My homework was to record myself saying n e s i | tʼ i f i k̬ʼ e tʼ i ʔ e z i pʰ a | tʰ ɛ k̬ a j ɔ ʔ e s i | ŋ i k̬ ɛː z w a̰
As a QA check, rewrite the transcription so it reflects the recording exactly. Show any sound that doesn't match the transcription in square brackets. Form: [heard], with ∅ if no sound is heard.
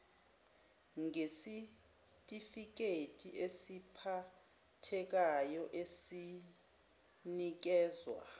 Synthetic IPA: [ŋ] e s i | tʼ i f i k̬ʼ e tʼ i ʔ e [s] i pʰ a | tʰ ɛ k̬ a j ɔ ʔ e s i | [n] i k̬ ɛː z w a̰